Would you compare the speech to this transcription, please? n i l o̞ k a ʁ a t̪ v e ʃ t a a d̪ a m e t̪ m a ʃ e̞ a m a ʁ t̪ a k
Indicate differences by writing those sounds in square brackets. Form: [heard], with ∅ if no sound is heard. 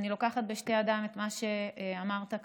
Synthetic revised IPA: n i l o̞ k a [χ] a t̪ [b] e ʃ t [e] a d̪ a m e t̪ m a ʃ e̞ a m a ʁ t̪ a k